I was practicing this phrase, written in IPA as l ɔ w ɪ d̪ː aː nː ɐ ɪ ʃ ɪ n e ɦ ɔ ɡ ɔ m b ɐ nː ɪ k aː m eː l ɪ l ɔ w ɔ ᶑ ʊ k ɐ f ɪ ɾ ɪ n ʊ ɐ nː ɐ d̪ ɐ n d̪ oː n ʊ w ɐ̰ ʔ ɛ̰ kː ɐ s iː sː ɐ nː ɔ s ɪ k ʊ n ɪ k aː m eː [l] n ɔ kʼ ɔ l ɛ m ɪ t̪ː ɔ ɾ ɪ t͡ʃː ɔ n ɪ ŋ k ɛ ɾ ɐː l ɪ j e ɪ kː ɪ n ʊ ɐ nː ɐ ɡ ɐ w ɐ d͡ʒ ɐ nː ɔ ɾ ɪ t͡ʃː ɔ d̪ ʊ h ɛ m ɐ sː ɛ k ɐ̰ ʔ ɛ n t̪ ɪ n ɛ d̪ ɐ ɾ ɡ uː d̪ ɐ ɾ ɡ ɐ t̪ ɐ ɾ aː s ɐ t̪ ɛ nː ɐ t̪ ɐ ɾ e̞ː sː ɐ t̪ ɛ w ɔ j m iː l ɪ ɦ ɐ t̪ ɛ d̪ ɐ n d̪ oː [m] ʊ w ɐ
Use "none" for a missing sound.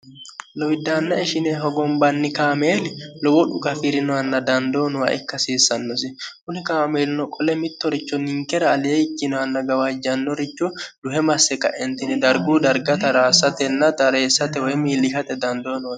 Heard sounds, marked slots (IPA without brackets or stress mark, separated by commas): l, n